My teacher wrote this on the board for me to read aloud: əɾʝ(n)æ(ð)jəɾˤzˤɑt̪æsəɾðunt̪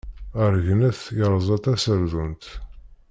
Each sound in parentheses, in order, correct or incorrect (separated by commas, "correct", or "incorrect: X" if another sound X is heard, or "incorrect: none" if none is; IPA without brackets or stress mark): correct, incorrect: θ